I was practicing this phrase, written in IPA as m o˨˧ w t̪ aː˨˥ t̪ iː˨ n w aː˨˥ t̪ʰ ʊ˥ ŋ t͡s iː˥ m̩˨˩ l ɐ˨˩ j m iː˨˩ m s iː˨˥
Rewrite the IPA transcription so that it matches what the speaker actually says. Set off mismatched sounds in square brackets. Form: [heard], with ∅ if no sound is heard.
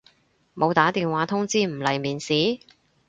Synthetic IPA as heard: m o˨˧ w t̪ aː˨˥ t̪ iː˨ n w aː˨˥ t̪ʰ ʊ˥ ŋ t͡s iː˥ m̩˨˩ l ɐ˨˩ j m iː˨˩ [n] s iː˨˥